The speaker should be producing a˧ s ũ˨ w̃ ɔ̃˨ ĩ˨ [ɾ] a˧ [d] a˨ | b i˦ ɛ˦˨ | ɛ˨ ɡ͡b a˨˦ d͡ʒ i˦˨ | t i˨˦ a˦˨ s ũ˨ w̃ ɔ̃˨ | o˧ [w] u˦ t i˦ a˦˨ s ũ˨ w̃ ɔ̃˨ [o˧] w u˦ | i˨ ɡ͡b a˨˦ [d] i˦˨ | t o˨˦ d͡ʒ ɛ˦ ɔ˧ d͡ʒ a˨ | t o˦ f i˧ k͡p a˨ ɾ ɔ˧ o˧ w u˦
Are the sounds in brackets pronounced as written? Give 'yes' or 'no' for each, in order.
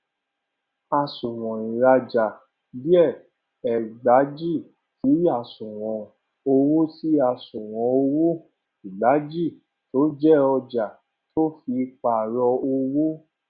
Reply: yes, no, yes, yes, no

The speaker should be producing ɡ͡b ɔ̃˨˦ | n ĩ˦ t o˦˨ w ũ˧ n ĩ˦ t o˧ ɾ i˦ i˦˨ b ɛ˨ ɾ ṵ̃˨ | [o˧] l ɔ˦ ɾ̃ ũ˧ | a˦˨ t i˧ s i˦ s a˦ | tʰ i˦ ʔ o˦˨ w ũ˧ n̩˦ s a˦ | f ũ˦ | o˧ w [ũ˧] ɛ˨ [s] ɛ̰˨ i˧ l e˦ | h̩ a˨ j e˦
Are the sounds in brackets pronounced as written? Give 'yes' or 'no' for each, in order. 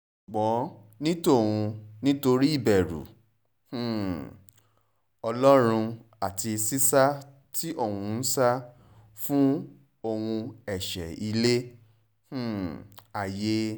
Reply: no, yes, no

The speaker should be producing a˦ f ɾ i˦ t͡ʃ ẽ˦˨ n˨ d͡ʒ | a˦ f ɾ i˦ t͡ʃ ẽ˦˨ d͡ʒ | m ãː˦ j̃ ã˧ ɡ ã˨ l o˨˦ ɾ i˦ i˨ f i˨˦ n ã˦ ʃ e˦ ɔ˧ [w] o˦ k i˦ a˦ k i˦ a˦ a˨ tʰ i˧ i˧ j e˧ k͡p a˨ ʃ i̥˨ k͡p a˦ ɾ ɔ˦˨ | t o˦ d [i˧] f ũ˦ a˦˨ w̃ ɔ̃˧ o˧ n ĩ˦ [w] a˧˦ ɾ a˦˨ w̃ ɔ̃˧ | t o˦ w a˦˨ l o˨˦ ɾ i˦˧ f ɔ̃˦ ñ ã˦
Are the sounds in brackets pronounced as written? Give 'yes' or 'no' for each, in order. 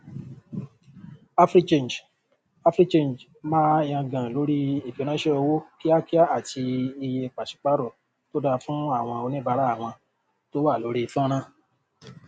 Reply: yes, no, no

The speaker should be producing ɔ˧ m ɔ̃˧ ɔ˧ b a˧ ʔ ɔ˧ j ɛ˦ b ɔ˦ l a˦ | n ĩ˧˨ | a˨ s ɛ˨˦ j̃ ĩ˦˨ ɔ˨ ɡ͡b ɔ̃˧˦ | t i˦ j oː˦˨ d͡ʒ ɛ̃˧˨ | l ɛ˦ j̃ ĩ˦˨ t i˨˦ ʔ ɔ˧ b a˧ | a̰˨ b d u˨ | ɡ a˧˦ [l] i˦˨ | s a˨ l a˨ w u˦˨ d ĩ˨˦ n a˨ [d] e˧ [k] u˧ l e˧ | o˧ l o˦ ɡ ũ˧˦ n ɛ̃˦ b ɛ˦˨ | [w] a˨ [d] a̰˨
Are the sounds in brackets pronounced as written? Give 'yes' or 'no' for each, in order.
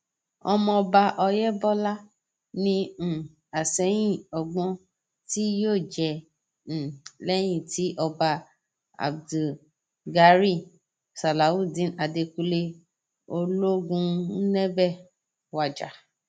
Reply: no, yes, yes, yes, no

